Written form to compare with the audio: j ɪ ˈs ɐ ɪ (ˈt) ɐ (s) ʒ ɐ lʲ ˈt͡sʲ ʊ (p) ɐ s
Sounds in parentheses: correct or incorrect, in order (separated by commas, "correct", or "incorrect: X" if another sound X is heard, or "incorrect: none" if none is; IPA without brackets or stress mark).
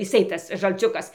correct, correct, incorrect: k